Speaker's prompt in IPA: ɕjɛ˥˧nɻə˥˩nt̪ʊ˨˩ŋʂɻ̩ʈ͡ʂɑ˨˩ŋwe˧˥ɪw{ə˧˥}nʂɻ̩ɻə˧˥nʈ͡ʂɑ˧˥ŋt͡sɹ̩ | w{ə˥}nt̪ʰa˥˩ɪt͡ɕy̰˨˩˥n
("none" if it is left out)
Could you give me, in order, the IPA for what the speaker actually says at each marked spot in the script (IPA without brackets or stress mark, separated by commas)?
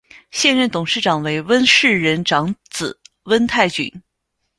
ə˥, ə˥